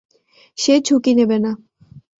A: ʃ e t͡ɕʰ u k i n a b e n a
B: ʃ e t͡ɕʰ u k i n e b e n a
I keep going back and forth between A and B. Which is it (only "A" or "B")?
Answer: B